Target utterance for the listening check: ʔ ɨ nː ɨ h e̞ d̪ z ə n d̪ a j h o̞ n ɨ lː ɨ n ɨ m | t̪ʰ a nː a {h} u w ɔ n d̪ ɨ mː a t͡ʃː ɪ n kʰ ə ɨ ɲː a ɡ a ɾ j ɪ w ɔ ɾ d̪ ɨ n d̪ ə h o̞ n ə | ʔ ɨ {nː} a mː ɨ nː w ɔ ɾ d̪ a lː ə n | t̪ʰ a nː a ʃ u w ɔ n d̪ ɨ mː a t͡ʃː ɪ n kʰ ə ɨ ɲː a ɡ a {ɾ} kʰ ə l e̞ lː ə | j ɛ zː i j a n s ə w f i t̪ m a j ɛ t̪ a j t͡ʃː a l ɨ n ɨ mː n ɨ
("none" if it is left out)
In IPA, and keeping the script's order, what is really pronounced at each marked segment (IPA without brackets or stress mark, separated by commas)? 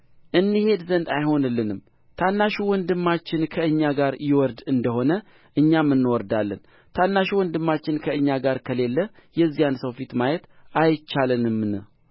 ʃ, ɲː, ɾ